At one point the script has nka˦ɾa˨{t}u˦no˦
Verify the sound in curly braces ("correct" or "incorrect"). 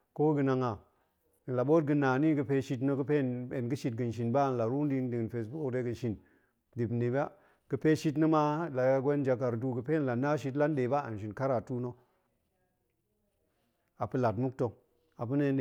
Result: correct